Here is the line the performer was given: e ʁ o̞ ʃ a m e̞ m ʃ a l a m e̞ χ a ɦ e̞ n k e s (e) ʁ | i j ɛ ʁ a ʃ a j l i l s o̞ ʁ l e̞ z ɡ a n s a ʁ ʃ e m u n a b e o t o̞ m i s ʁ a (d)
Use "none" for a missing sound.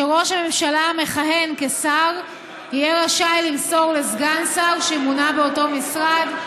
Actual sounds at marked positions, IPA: a, d

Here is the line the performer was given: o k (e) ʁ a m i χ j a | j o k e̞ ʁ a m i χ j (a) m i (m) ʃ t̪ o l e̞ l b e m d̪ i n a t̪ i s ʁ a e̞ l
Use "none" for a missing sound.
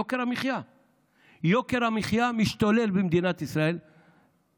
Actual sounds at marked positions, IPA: e, a, none

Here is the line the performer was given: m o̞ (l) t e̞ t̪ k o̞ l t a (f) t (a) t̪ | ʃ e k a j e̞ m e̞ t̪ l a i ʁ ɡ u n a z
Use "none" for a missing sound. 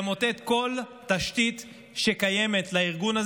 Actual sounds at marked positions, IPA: none, ʃ, i

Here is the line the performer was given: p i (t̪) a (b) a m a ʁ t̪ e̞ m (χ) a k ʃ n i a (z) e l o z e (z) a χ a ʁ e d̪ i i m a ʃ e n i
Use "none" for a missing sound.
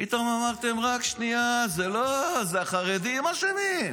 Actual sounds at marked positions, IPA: t̪, m, ʁ, z, none

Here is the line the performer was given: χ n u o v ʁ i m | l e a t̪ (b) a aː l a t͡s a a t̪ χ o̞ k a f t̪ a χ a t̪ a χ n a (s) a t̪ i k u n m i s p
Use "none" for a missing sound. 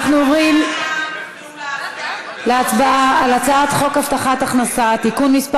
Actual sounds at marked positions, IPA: b, s

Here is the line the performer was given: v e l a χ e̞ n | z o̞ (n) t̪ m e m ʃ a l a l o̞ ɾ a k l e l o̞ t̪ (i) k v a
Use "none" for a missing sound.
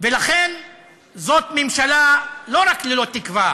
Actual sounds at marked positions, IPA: none, i

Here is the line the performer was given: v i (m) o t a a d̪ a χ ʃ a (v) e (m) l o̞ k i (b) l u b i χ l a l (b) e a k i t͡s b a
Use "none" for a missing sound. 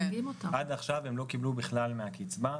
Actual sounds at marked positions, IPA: m, v, m, b, m

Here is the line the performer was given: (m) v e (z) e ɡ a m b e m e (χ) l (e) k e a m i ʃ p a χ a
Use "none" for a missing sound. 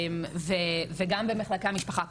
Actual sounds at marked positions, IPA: m, v, χ, a

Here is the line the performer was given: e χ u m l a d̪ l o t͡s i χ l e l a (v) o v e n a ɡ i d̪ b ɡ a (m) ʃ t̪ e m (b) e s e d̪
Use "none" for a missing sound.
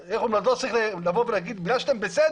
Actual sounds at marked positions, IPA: v, none, b

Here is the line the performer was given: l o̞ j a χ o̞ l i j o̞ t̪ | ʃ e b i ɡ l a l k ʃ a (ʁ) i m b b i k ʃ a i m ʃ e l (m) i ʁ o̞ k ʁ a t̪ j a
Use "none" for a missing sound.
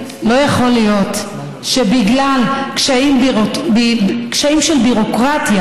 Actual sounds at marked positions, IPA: none, b

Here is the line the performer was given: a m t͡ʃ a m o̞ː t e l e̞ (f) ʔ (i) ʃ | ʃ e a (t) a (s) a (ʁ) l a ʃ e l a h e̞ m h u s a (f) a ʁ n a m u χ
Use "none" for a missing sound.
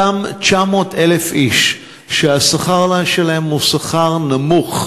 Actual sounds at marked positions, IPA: f, i, s, χ, ʁ, χ

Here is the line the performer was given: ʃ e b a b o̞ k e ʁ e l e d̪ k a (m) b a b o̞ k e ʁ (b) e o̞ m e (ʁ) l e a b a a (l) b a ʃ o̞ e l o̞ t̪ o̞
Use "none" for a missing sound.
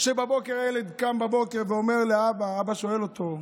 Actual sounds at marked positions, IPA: m, v, ʁ, none

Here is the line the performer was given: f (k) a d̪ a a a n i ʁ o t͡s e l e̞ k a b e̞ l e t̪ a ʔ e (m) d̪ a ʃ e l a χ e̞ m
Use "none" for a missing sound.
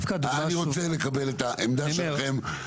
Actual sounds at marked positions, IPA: k, m

